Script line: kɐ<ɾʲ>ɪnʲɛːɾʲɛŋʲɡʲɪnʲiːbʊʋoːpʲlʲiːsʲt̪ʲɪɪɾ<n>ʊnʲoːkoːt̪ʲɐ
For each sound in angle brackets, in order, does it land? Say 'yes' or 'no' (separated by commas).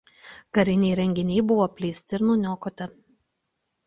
yes, yes